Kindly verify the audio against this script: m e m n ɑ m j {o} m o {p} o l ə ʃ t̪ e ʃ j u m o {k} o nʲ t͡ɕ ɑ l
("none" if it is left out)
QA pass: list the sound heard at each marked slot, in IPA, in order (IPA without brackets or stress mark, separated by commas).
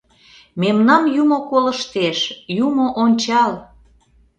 u, k, ʔ